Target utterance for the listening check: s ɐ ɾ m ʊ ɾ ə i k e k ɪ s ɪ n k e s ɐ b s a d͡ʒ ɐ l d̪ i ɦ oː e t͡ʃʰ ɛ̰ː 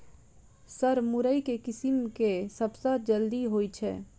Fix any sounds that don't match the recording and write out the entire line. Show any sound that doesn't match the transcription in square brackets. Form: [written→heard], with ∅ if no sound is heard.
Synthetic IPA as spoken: s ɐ ɾ m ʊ ɾ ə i k e k ɪ s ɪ [n→m] k e s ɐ b s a d͡ʒ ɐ l d̪ i ɦ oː [e→i] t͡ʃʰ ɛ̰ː